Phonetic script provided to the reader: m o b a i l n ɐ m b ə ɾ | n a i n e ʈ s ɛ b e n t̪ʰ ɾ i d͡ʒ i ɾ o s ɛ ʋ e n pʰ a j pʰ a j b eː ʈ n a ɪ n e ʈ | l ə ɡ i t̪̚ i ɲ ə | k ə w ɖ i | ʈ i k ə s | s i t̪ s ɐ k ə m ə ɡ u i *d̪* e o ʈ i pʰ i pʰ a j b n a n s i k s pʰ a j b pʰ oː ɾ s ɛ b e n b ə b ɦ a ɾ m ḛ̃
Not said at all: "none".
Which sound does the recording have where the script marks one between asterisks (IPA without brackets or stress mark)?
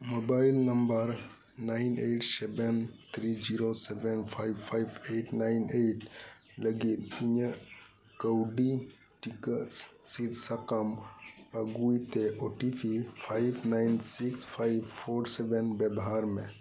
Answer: t̪